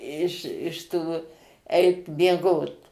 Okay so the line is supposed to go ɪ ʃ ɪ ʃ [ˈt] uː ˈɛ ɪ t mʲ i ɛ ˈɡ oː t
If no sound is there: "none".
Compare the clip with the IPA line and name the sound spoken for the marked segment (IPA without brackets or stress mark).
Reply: t